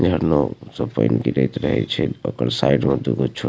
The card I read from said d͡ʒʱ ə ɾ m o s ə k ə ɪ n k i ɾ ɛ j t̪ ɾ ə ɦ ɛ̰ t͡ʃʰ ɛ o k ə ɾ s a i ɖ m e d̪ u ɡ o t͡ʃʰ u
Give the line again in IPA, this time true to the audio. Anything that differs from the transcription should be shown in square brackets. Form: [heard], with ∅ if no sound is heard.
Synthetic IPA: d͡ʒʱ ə ɾ [n] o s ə [p] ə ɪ n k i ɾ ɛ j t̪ ɾ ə ɦ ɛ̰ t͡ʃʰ ɛ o k ə ɾ s a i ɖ m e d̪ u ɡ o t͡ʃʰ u